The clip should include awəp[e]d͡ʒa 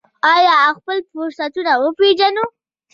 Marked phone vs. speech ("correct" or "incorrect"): correct